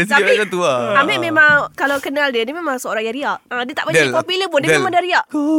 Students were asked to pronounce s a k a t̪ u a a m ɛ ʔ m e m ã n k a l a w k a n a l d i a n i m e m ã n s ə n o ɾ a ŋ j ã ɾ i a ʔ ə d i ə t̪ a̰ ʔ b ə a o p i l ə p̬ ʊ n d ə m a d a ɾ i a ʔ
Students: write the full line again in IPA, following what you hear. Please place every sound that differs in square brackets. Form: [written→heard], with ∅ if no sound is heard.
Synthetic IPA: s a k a t̪ u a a m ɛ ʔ m e m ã [n→ŋ] k a l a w k [a→ə] n a l d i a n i m e m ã [n→ŋ] s ə [n→∅] o ɾ a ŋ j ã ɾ i a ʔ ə d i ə t̪ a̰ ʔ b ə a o p i l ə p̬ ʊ n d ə m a d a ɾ i a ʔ